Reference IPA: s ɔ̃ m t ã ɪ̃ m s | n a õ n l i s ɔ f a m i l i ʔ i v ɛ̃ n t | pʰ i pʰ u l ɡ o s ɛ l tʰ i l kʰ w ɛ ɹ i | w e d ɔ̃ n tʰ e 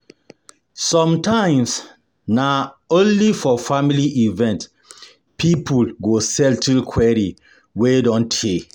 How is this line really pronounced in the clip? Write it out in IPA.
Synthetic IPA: s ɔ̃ m t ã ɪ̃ m s | n a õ n l i f ɔ f a m i l i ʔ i v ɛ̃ n t | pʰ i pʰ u l ɡ o s ɛ l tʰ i l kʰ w ɛ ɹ i | w e d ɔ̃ n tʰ e

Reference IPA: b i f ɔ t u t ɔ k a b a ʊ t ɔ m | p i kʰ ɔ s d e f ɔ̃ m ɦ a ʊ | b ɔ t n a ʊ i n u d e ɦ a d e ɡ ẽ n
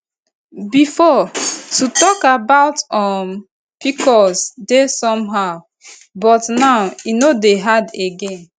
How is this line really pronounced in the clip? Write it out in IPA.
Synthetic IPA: b i f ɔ t u t ɔ k a b a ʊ t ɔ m | p i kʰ ɔ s d e s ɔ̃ m ɦ a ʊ | b ɔ t n a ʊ i n o d e ɦ a d e ɡ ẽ n

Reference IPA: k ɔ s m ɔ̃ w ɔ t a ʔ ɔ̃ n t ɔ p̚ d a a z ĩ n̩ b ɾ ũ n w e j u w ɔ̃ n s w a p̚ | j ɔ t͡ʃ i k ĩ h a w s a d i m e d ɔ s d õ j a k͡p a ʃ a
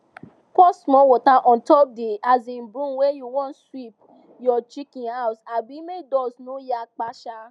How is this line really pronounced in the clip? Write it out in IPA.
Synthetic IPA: k ɔ s m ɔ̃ w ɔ t a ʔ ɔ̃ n t ɔ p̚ d e a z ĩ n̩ b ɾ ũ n w e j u w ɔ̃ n s w i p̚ | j ɔ t͡ʃ i k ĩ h a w s a b i m e d ɔ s n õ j a k͡p a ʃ a

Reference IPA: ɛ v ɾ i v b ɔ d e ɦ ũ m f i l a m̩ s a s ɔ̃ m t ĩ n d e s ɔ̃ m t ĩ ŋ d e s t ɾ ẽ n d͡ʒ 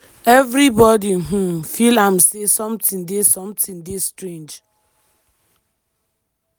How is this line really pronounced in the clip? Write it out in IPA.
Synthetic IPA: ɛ v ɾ i b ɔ d i ɦ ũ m f i l a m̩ s e s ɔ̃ m t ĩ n d e s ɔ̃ m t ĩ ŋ d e s t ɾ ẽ n d͡ʒ

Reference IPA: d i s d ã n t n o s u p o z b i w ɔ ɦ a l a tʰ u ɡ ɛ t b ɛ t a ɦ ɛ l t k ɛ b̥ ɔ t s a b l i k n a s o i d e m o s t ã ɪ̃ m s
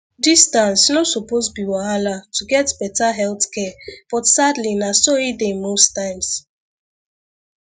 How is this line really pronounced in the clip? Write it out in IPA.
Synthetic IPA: d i s t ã n s n o s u p o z b i w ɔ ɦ a l a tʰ u ɡ ɛ t b ɛ t a ɦ ɛ l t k ɛ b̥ ɔ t s a d l i n a s o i d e m o s t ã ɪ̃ m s

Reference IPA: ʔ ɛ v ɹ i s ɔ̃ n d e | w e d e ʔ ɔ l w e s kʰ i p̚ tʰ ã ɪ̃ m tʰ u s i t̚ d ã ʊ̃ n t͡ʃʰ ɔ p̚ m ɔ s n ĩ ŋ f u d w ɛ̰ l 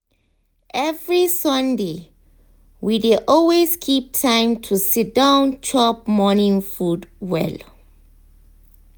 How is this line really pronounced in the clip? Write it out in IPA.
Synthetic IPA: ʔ ɛ v ɹ i s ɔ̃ n d e | w i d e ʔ ɔ l w e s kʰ i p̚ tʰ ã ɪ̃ m tʰ u s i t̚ d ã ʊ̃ n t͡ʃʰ ɔ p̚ m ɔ n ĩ ŋ f u d w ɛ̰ l

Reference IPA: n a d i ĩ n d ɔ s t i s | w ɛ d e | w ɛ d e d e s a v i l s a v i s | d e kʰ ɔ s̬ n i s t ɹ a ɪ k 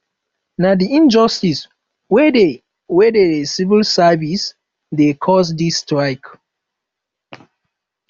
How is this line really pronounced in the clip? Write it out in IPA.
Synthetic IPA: n a d i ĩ n d͡ʒ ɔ s t i s | w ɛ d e | w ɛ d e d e s i v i l s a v i s | d e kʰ ɔ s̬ d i s t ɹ a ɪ k

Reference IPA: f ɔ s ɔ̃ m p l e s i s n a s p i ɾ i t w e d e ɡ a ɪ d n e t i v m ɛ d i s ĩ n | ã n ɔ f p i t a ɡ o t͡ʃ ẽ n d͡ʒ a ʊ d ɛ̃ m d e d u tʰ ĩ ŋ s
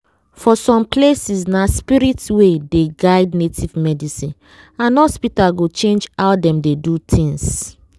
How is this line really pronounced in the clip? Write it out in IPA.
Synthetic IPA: f ɔ s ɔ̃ m p l e s i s n a s p i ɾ i t w e d e ɡ a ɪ d n e t i v m ɛ d i s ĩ n | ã n ɔ s p i t a ɡ o t͡ʃ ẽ n d͡ʒ a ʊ d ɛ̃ m d e d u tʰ ĩ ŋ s

